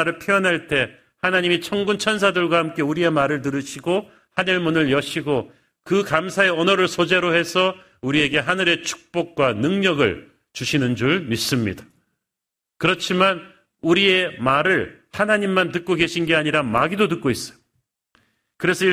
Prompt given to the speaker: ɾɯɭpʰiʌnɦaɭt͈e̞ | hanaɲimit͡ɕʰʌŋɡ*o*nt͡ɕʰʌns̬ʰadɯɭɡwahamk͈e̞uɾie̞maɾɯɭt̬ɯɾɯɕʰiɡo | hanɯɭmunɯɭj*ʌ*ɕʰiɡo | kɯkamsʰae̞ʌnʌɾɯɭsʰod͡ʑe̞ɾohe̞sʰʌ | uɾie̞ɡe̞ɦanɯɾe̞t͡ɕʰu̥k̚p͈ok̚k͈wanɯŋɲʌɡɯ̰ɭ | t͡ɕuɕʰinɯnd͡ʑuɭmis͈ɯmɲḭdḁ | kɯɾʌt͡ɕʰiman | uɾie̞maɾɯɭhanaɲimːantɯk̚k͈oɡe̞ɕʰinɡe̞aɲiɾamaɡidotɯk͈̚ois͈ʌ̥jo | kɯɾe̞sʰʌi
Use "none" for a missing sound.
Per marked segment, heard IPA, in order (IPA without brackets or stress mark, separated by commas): u, ʌ